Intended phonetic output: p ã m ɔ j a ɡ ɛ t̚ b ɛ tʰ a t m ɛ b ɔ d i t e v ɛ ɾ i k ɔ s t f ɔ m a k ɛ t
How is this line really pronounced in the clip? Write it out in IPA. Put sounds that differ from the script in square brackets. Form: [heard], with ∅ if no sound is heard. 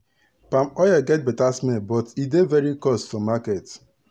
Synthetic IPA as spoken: p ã m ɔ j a ɡ ɛ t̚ b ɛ [t] a [s] m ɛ b ɔ [t] i [d] e v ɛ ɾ i k ɔ s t f ɔ m a k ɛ t